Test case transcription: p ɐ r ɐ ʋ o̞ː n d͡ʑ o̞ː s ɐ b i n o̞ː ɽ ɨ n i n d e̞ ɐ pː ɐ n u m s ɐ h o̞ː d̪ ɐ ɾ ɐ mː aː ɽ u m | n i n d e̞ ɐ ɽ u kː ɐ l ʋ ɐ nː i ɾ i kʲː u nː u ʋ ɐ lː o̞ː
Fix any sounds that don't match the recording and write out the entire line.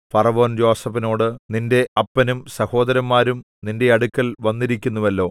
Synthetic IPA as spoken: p ɐ r ɐ ʋ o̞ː n d͡ʑ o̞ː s ɐ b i n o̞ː ɽ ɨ n i n d e̞ ɐ pː ɐ n u m s ɐ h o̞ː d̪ ɐ ɾ ɐ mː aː ɾ u m | n i n d e̞ ɐ ɽ u kː ɐ l ʋ ɐ nː i ɾ i kʲː u nː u ʋ ɐ lː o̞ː